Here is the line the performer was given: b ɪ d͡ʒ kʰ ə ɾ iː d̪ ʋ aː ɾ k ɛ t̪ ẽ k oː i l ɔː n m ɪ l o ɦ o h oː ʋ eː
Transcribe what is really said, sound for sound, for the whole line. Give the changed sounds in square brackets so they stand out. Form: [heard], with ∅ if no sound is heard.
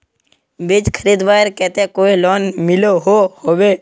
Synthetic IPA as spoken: b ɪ d͡ʒ kʰ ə ɾ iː d̪ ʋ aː ɾ k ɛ t̪ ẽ k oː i l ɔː n m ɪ l o ɦ o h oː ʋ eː